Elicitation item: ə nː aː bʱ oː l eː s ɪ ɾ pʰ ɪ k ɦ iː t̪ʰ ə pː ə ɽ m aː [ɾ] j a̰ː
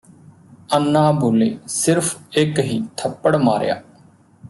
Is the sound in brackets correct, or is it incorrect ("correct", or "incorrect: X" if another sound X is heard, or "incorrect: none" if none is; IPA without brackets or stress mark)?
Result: correct